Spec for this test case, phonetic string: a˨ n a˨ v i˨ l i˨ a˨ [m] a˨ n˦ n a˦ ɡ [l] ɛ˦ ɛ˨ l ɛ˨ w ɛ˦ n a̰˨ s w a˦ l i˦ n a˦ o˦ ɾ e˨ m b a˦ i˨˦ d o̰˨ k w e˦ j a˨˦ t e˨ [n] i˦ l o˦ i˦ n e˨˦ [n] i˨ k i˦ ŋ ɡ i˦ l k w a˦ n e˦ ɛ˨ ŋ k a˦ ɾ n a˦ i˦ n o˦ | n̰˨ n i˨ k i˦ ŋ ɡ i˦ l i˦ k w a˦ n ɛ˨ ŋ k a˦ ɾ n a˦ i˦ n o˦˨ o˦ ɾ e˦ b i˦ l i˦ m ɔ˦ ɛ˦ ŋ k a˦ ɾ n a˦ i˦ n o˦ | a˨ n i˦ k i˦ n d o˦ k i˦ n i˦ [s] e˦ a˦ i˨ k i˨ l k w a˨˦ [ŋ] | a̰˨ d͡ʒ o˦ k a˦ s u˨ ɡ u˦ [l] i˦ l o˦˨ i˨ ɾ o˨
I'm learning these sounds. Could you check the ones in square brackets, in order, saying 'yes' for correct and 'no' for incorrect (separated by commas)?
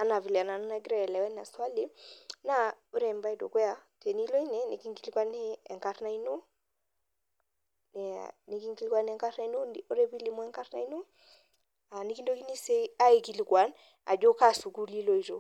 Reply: no, no, yes, yes, yes, no, yes